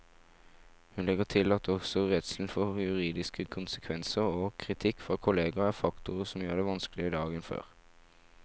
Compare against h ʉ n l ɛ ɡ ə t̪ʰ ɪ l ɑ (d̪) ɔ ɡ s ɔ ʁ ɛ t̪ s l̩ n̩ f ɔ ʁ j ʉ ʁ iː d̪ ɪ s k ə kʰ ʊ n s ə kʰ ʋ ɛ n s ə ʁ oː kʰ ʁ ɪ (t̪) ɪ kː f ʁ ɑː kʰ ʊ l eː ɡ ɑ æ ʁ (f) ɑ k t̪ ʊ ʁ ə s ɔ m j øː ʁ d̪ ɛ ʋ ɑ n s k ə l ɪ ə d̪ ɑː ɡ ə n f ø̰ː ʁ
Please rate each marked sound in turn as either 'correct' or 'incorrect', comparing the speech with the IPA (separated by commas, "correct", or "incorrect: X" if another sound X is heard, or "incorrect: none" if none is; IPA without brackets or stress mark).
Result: incorrect: t̪, incorrect: t̪ʰ, correct